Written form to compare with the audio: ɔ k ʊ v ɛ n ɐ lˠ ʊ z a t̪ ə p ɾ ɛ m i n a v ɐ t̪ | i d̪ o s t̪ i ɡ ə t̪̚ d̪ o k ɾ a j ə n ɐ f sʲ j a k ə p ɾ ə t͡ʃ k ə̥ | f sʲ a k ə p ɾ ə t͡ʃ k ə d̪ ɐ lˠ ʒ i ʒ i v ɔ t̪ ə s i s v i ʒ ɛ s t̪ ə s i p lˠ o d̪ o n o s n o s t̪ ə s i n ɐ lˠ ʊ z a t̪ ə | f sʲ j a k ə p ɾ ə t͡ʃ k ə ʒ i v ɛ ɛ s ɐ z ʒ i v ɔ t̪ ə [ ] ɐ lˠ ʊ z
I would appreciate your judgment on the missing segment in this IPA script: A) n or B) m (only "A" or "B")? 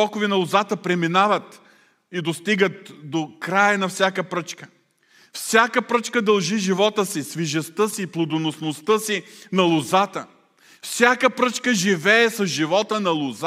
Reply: A